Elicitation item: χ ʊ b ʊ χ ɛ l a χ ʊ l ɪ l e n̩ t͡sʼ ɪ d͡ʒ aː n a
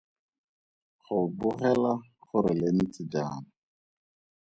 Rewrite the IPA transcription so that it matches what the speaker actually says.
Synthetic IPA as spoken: χ ʊ b ʊ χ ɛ l a χ ʊ ɾ ɪ l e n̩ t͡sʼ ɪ d͡ʒ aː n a